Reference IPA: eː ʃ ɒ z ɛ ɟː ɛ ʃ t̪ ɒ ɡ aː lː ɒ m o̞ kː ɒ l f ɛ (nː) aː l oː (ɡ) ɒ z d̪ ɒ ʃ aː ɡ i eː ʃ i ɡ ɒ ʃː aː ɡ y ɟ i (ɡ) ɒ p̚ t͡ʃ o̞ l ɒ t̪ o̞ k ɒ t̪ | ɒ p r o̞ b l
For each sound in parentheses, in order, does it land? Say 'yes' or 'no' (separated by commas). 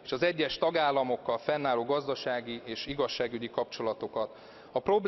yes, yes, no